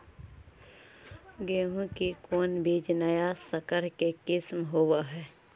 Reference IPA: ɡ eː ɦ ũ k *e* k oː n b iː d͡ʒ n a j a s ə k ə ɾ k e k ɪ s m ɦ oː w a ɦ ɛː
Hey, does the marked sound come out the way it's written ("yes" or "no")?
no